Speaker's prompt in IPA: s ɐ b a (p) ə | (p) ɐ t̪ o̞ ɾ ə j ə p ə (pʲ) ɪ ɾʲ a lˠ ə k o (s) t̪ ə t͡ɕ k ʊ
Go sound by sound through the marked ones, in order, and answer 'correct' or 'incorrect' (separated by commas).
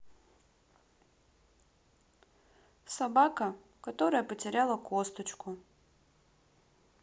incorrect, incorrect, incorrect, correct